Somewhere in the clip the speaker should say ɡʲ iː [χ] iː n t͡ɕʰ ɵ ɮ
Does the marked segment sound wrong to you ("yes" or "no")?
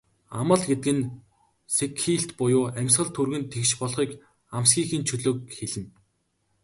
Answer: yes